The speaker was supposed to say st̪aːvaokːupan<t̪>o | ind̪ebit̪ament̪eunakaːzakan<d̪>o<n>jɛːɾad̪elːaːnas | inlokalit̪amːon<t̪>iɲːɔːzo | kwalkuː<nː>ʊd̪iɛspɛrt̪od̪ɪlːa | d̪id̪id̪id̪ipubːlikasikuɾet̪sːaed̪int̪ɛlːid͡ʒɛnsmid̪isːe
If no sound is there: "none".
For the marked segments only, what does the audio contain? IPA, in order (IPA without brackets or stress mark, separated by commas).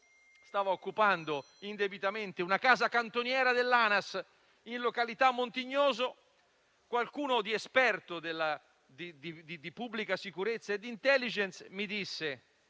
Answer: d̪, t̪, n, t̪, n